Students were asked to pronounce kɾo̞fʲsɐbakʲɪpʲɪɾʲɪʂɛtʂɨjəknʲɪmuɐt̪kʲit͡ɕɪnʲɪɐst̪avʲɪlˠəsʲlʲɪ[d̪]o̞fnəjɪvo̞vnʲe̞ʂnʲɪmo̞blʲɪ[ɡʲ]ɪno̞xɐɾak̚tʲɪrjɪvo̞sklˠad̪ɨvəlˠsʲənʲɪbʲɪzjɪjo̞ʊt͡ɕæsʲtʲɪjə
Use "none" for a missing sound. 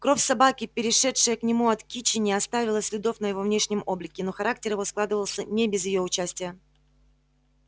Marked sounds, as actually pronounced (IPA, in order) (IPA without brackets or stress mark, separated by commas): d̪, kʲ